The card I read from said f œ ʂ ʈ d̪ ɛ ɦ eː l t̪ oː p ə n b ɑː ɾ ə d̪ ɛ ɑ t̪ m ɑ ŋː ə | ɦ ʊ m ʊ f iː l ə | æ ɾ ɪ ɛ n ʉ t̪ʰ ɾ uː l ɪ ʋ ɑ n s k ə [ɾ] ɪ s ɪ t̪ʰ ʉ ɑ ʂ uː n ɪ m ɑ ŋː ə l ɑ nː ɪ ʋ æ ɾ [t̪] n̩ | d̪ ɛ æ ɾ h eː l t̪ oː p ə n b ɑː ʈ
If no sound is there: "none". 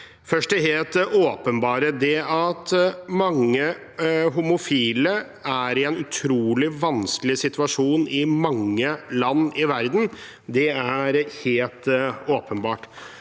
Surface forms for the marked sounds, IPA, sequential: l, d̪

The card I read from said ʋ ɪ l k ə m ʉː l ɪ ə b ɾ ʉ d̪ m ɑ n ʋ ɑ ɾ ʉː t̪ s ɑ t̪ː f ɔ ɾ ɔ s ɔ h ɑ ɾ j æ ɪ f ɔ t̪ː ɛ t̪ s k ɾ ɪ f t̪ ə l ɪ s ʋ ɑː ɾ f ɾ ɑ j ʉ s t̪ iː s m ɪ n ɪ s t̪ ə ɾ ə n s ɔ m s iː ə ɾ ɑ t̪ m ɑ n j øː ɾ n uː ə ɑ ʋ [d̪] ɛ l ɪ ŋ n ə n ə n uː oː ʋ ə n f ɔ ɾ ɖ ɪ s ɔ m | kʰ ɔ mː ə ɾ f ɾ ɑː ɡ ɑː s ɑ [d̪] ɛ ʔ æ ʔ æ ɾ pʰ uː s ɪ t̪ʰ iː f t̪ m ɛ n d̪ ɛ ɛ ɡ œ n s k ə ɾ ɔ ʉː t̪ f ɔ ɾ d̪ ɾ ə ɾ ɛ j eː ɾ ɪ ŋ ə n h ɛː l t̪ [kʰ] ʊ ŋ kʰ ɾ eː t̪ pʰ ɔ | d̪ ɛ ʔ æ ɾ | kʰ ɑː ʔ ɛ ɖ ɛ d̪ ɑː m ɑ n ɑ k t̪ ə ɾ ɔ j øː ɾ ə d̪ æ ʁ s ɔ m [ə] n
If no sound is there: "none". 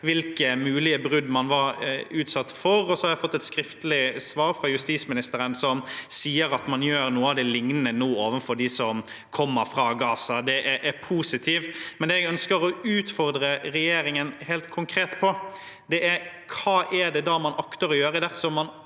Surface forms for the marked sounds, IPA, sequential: d̪, d̪, kʰ, ɑ

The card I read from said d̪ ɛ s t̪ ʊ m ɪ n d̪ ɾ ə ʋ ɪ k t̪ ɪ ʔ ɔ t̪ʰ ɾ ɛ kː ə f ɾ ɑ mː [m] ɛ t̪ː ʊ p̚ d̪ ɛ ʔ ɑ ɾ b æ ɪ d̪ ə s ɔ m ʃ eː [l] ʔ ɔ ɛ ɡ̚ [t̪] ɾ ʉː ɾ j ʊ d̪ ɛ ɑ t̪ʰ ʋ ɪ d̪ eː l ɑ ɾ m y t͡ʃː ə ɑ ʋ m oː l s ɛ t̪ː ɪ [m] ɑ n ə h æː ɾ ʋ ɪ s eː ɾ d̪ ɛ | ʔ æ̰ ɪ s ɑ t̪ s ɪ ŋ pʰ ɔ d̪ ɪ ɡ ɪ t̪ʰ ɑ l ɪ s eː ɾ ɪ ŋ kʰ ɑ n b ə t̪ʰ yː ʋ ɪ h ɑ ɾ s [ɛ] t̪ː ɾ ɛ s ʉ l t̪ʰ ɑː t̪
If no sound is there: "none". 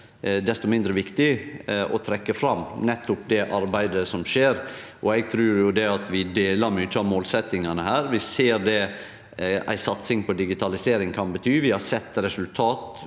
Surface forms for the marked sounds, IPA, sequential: n, ɾ, t̪ʰ, ŋ, ɛ

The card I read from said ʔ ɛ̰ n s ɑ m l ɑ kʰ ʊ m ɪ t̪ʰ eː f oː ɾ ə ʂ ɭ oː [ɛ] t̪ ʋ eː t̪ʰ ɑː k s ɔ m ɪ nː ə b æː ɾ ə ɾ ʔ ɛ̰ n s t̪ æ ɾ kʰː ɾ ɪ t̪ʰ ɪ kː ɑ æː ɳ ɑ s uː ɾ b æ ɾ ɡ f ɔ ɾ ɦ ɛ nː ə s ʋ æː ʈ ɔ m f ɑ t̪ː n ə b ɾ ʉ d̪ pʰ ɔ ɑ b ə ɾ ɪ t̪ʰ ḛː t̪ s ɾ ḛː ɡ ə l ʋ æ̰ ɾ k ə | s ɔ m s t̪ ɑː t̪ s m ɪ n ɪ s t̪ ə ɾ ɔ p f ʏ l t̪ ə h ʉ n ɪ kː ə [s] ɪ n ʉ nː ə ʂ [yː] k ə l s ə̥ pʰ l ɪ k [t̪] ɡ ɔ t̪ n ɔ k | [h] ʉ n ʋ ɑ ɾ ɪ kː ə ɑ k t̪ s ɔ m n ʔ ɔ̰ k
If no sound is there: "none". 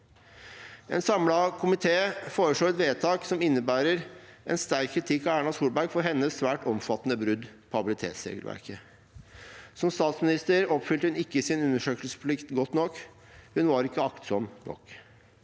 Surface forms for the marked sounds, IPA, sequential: ɛ, s, øː, t̪, h

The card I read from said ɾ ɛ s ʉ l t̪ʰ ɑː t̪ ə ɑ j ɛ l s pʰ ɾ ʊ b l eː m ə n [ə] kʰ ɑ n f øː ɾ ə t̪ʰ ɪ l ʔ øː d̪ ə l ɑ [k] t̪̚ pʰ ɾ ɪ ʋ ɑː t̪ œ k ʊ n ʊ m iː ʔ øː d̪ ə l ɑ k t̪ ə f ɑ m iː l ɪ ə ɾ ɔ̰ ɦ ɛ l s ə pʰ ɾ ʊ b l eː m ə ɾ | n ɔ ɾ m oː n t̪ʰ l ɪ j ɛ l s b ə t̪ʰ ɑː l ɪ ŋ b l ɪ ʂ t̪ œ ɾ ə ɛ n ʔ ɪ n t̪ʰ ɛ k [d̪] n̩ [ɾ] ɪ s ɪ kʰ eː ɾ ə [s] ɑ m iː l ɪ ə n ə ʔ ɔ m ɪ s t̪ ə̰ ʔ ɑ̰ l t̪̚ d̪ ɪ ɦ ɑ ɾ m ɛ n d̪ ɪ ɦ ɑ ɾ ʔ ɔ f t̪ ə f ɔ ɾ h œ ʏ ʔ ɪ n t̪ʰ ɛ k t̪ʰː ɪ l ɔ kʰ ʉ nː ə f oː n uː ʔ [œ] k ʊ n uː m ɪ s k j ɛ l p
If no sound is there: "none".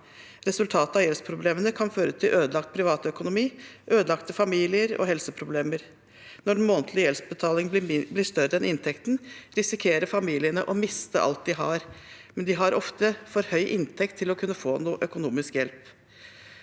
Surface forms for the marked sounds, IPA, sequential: ə, k, t̪, ɾ, f, œ

